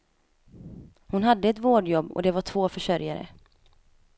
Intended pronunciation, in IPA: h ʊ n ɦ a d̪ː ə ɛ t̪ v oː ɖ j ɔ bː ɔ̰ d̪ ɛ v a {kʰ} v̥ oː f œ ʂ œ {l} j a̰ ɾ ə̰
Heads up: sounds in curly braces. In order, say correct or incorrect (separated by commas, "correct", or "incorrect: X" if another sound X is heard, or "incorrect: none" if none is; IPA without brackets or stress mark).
incorrect: ʈʰ, incorrect: ɾ